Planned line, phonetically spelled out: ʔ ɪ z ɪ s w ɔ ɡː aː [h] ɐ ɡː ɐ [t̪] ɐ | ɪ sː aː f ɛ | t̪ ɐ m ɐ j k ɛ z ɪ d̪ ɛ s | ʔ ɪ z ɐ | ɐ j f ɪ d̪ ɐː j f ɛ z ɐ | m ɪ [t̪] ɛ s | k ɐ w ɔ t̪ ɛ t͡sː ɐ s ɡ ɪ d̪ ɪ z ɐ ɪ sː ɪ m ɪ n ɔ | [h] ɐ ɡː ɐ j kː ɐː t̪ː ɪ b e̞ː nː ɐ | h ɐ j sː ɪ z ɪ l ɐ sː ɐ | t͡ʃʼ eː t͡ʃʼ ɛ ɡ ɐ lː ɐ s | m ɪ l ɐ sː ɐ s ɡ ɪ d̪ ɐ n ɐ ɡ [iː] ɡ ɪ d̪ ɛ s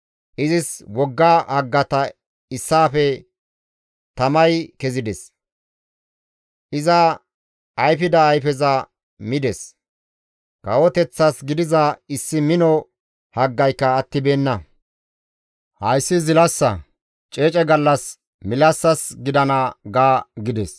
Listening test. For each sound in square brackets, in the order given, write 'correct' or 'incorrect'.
correct, correct, incorrect, correct, incorrect

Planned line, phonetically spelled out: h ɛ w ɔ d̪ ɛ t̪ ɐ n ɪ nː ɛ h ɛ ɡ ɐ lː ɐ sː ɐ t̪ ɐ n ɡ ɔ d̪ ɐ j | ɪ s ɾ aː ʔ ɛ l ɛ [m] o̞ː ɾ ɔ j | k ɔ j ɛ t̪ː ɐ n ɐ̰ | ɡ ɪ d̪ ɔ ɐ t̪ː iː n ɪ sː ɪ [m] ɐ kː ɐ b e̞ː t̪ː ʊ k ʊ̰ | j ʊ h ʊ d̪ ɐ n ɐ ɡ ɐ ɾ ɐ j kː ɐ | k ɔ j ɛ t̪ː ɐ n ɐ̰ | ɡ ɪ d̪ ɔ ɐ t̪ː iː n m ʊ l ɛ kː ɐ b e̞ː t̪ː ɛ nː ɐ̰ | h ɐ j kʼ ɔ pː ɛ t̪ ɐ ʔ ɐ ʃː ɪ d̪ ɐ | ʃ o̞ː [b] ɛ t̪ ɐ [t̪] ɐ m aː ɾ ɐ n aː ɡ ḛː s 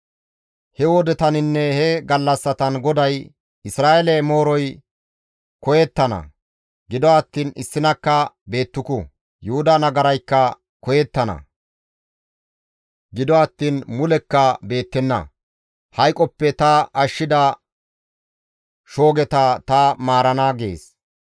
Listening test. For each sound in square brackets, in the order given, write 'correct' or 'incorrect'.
correct, incorrect, incorrect, correct

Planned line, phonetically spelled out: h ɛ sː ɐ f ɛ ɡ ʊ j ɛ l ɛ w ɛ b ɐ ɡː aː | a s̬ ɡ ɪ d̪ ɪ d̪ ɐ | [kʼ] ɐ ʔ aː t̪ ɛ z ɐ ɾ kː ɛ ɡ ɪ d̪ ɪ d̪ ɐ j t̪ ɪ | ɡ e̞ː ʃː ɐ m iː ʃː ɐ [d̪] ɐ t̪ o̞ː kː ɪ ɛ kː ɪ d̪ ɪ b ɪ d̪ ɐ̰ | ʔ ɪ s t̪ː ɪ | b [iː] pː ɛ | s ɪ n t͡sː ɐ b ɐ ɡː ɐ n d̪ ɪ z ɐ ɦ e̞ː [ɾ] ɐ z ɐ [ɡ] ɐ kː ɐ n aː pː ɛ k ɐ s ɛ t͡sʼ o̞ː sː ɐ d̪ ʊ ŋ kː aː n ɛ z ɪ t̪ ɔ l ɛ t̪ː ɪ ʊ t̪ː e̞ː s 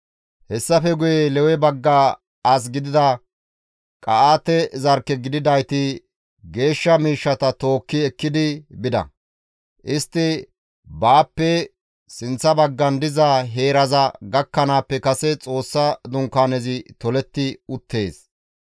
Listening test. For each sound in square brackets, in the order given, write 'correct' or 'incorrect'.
correct, incorrect, incorrect, correct, correct

